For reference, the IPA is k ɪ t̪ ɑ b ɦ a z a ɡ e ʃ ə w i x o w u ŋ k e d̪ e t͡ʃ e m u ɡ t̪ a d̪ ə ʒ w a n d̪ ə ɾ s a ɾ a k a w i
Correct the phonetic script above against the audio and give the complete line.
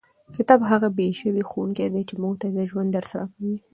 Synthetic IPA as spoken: k ɪ t̪ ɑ b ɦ a ɣ a b e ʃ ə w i x o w u ŋ k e d̪ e t͡ʃ e m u ɡ t̪ a d̪ ə ʒ w a n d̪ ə ɾ s a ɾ a k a w i